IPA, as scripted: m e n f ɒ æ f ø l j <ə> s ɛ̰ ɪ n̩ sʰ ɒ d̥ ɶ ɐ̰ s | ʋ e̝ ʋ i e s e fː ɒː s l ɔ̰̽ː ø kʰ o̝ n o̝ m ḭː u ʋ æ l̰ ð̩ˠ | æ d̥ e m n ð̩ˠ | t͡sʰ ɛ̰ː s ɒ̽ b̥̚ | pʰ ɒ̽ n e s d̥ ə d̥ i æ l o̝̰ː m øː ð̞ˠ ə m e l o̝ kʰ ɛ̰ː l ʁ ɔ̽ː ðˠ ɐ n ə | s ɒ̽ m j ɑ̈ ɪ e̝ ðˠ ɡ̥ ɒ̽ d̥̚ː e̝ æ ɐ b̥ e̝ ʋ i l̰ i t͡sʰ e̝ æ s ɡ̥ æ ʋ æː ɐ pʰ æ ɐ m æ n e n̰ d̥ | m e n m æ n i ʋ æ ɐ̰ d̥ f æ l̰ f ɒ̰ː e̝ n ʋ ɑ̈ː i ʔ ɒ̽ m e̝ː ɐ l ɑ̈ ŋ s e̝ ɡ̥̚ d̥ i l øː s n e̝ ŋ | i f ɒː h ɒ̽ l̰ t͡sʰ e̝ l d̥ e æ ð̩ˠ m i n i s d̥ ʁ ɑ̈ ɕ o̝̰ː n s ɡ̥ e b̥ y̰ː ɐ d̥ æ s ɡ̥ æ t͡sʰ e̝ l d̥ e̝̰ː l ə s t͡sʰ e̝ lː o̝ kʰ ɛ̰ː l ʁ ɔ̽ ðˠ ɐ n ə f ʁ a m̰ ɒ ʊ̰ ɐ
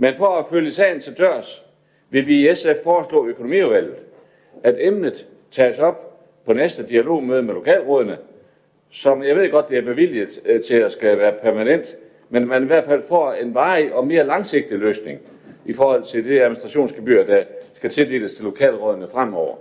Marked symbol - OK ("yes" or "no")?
yes